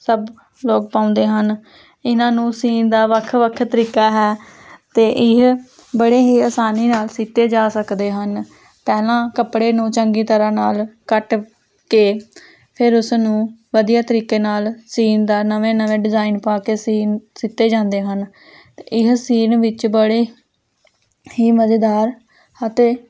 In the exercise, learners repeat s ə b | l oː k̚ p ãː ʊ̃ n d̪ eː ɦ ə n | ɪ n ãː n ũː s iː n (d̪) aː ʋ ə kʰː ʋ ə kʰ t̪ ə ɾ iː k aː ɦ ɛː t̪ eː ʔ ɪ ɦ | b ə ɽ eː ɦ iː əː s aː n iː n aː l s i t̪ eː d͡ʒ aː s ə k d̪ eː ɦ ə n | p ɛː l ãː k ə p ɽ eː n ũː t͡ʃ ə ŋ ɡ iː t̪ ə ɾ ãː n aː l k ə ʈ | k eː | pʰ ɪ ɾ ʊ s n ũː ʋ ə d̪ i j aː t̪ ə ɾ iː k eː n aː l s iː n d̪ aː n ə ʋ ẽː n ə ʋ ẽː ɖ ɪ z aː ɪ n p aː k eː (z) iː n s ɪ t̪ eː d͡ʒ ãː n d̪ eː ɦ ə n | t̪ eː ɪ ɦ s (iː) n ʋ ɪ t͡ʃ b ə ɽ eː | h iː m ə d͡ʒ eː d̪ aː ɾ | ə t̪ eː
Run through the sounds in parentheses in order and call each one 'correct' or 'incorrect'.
correct, incorrect: s, correct

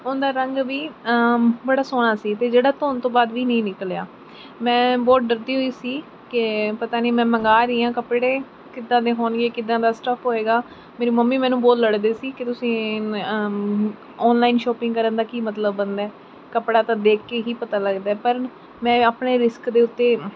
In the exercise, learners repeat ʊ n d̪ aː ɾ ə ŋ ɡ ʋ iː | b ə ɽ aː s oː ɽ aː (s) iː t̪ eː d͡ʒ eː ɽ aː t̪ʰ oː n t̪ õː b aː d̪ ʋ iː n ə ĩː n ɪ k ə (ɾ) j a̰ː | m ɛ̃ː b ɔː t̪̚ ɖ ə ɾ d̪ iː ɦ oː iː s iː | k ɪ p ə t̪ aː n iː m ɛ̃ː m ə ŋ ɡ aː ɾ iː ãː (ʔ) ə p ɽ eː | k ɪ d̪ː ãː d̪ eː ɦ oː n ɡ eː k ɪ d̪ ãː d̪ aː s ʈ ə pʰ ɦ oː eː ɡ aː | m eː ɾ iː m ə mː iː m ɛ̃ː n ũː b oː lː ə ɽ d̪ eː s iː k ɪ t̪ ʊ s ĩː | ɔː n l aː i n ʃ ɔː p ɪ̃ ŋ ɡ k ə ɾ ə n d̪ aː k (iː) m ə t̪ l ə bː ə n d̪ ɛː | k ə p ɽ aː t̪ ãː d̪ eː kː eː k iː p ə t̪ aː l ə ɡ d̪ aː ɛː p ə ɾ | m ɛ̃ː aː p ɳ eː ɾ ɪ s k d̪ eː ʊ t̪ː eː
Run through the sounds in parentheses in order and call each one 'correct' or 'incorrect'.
correct, incorrect: l, incorrect: k, correct

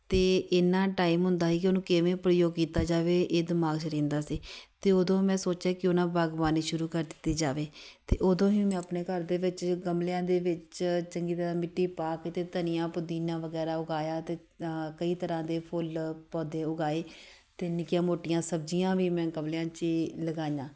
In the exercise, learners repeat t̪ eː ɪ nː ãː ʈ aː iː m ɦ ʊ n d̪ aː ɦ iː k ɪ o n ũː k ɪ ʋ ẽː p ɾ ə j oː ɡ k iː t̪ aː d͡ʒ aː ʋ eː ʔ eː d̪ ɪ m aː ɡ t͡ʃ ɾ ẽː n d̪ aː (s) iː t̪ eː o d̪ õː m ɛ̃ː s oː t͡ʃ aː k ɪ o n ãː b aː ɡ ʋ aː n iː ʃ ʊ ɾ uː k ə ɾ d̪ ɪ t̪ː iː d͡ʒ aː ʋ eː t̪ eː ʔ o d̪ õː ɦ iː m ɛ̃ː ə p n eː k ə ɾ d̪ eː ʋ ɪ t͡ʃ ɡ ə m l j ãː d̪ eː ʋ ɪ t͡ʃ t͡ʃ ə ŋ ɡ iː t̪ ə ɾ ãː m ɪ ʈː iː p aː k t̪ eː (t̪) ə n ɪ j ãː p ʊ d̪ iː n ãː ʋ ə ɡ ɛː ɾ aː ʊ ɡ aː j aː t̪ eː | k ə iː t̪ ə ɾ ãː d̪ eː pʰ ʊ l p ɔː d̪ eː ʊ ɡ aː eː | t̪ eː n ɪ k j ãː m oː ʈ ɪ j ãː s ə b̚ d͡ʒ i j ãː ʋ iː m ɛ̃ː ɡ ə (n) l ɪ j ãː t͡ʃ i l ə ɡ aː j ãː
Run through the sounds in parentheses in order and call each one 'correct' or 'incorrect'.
correct, correct, incorrect: m

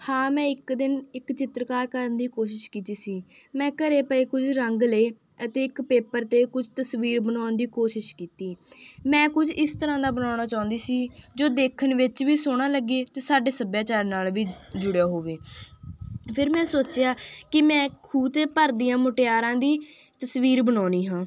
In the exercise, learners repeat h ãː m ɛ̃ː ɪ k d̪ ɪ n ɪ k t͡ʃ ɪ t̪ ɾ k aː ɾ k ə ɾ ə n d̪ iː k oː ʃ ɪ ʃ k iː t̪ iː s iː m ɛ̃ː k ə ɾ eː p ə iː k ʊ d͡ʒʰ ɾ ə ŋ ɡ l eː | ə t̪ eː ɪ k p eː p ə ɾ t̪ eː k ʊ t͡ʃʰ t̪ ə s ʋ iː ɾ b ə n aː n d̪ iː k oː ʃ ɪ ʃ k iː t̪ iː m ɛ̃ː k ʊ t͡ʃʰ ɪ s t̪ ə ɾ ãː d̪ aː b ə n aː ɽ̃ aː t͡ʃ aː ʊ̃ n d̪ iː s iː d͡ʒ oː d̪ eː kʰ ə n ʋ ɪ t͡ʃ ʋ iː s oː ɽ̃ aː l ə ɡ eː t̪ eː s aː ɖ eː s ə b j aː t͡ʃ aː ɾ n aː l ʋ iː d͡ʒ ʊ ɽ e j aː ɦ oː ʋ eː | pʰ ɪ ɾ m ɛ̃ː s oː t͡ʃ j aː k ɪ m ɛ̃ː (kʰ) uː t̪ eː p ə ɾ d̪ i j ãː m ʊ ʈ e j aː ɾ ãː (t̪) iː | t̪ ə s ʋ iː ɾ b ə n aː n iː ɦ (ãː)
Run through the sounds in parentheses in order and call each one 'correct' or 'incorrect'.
correct, incorrect: d̪, correct

